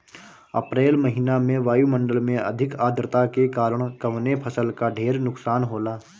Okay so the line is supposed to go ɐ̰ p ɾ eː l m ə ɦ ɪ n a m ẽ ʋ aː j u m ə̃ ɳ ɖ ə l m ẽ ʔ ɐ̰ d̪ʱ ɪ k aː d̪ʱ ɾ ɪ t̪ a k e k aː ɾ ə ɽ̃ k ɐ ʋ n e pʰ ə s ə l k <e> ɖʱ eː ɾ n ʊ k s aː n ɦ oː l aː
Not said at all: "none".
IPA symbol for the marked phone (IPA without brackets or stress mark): a